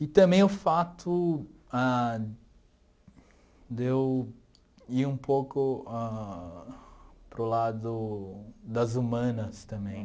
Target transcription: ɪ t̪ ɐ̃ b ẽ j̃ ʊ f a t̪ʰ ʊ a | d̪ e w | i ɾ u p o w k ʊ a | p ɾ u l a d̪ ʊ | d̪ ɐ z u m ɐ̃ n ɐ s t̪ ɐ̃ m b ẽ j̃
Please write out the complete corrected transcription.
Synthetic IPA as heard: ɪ t̪ ɐ̃ b ẽ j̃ ʊ f a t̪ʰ ʊ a | d̪ e w | i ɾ ũ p o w k ʊ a | p ɾ ʊ l a d̪ ʊ | d̪ ɐ z u m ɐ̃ n ɐ s t̪ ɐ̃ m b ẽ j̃